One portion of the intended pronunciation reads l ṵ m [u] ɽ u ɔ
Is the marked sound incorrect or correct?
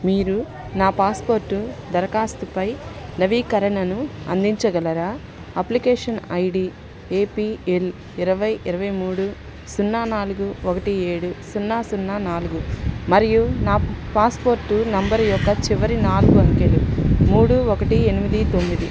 incorrect: uː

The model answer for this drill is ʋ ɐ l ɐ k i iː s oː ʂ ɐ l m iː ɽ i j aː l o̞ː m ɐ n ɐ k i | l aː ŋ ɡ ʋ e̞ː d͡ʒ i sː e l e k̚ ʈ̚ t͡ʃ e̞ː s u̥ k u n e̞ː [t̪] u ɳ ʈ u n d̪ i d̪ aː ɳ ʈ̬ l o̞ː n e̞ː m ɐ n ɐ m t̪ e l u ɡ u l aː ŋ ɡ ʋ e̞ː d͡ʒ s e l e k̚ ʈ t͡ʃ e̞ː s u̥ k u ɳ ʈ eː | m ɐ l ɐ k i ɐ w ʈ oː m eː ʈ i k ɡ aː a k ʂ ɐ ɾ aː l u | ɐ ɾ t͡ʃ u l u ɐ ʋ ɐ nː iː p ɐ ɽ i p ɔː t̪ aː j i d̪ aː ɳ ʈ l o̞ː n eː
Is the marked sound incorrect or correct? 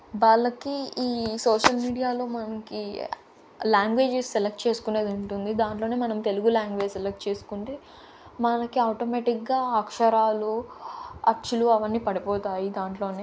incorrect: d̪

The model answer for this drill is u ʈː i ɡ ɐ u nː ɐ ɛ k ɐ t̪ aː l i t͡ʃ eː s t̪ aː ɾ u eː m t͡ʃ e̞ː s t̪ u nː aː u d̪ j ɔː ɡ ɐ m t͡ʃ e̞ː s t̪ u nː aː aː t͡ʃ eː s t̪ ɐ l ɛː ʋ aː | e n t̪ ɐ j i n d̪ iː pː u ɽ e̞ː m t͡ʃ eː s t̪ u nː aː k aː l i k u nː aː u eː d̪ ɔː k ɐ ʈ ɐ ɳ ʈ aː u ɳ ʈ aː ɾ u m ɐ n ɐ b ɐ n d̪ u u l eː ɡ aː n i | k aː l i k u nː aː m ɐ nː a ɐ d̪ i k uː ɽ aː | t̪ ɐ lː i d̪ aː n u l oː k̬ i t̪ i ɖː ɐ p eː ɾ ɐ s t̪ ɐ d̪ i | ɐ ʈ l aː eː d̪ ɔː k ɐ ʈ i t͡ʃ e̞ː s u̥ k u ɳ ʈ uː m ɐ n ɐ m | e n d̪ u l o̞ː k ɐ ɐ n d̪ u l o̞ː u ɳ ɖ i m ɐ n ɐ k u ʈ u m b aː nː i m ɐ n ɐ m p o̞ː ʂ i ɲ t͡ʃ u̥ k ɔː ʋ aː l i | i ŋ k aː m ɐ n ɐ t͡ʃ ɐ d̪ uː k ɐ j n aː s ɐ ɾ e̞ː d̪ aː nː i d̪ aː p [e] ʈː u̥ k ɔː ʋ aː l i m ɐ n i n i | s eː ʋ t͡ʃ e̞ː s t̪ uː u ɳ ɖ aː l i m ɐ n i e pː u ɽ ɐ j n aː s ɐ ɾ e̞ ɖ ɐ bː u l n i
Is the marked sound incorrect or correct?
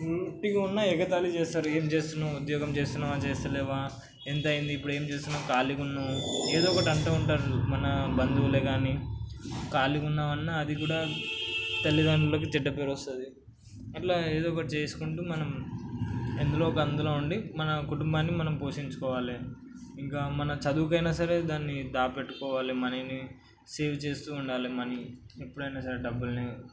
correct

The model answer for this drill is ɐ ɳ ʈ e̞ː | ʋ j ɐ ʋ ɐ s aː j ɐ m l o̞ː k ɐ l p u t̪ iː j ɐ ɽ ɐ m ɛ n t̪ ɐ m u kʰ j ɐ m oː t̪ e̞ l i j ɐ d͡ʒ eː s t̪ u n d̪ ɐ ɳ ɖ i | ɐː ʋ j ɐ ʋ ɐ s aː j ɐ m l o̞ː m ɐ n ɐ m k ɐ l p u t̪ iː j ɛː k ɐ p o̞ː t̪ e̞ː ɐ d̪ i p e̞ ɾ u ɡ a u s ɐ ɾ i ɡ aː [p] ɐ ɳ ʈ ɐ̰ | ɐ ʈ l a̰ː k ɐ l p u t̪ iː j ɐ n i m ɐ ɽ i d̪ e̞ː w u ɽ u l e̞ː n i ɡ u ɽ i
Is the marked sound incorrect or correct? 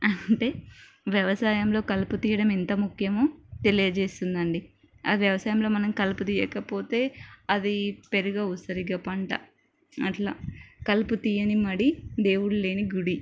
correct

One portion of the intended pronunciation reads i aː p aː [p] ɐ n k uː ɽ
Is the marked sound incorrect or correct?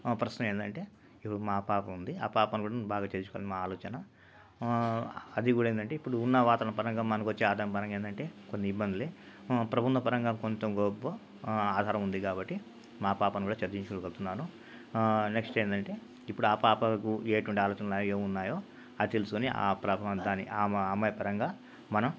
correct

